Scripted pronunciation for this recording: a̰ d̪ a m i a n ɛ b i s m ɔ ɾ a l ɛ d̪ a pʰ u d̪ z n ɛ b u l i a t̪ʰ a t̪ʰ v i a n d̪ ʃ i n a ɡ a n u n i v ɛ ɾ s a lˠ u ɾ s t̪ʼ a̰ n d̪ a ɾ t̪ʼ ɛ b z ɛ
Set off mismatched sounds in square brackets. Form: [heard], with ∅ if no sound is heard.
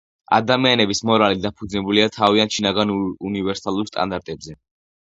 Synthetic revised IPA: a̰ d̪ a m i a n ɛ b i s m ɔ ɾ a l [i] d̪ a pʰ u d̪ z n ɛ b u l i a t̪ʰ a [∅] v i a n [t̪] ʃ i n a ɡ a n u n i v ɛ ɾ s a lˠ u ɾ s t̪ʼ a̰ n d̪ a ɾ t̪ʼ ɛ b z ɛ